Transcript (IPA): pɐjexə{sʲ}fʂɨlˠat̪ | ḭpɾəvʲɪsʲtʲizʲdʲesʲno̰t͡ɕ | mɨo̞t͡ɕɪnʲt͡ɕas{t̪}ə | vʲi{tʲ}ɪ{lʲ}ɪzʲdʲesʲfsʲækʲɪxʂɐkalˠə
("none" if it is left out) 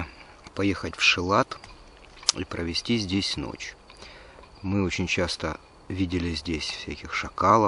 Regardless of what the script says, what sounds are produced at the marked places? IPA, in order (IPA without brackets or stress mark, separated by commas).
tʲ, t̪, dʲ, lʲ